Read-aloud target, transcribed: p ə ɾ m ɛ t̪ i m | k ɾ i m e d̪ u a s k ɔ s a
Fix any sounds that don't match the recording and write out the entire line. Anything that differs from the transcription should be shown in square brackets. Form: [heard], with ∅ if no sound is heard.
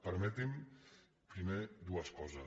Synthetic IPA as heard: p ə ɾ m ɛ t̪ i m | [p] ɾ i m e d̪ u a s k ɔ [z] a